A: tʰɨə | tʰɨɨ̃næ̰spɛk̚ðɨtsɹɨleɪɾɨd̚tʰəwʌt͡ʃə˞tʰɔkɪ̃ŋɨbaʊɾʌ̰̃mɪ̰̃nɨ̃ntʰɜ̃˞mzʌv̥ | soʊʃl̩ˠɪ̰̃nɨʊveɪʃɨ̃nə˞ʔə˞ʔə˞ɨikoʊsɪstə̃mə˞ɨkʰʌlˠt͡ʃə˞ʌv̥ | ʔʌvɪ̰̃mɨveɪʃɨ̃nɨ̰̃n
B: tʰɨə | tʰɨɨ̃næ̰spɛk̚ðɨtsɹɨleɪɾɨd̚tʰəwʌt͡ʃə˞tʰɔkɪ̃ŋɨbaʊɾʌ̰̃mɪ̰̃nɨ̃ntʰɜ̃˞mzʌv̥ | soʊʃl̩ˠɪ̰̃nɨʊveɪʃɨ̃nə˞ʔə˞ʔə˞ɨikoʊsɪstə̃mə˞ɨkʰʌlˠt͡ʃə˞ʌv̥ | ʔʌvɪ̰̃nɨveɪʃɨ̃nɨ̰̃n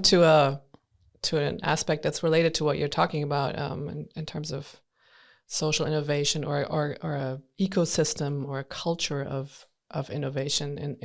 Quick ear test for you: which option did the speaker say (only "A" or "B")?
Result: B